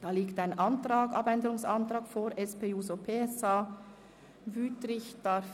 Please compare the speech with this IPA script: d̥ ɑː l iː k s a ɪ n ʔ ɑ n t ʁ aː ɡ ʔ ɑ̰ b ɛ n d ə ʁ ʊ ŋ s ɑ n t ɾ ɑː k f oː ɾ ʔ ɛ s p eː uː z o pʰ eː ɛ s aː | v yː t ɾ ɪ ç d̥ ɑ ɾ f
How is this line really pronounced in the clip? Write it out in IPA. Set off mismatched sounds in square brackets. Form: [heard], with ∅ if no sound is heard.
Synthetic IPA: d̥ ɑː l iː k [t] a ɪ n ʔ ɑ n t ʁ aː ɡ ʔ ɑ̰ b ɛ n d ə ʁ ʊ ŋ s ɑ n t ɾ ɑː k f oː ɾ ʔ ɛ s p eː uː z o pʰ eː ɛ s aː | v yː t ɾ ɪ ç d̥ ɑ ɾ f